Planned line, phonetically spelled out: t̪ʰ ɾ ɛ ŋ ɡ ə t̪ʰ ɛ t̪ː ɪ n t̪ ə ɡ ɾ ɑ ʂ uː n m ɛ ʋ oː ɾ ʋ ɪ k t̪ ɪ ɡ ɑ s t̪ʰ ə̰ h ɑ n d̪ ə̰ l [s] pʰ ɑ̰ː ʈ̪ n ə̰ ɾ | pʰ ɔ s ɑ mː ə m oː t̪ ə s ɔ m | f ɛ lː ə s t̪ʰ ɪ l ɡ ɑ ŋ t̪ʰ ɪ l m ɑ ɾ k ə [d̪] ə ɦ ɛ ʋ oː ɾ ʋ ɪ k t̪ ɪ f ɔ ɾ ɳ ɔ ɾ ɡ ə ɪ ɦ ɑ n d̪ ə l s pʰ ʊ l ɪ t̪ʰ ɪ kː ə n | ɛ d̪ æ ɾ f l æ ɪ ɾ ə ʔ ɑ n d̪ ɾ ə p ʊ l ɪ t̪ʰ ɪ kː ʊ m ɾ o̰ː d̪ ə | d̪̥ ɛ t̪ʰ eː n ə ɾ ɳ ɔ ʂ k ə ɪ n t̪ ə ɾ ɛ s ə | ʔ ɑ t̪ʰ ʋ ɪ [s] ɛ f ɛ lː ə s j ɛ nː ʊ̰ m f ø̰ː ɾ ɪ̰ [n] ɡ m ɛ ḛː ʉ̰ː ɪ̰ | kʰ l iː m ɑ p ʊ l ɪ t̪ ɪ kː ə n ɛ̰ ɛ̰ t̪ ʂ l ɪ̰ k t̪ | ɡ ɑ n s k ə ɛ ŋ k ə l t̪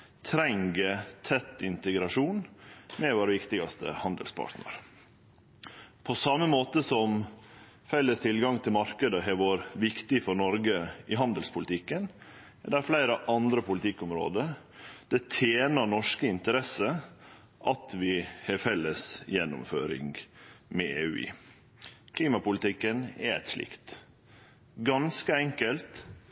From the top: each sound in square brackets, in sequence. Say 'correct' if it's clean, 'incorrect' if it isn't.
correct, correct, incorrect, incorrect

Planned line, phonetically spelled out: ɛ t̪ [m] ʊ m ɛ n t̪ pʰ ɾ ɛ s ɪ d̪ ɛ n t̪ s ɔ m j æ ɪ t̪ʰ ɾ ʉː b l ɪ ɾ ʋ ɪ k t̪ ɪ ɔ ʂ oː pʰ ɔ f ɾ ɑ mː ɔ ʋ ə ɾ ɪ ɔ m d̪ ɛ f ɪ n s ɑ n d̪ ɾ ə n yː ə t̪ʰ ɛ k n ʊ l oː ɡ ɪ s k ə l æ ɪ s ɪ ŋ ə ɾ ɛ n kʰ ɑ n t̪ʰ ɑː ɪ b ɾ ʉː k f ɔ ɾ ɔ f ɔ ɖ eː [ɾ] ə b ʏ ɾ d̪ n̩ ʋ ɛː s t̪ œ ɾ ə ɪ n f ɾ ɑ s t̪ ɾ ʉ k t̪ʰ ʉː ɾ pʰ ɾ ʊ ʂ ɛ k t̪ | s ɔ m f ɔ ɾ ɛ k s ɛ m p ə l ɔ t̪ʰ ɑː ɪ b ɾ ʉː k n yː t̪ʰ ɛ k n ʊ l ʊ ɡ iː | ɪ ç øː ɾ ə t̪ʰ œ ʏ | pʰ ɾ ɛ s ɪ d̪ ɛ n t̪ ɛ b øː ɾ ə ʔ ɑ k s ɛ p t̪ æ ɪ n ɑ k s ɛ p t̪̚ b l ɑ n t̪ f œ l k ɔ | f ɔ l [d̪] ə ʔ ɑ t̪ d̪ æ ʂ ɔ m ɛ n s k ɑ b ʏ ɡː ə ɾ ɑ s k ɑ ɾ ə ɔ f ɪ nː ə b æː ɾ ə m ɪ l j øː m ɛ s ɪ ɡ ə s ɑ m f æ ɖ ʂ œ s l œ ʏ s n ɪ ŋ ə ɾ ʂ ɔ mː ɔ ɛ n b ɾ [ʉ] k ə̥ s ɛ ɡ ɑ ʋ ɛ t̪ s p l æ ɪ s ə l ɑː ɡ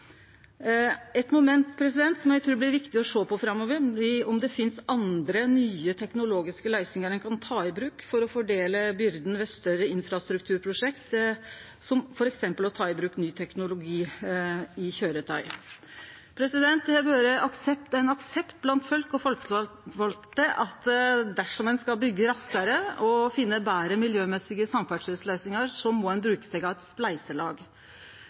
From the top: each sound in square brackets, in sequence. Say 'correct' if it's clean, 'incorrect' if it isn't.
correct, incorrect, incorrect, incorrect

